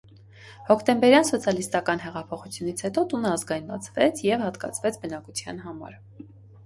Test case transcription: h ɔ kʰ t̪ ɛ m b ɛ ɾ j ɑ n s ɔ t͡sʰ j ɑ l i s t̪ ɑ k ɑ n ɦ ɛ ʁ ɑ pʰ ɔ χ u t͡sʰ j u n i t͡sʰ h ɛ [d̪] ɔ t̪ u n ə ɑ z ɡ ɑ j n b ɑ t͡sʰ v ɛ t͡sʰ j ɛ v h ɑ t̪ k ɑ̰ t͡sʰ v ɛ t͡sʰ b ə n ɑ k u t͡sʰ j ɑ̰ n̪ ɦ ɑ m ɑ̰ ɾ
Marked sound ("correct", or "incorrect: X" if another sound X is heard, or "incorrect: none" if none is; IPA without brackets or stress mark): incorrect: t̪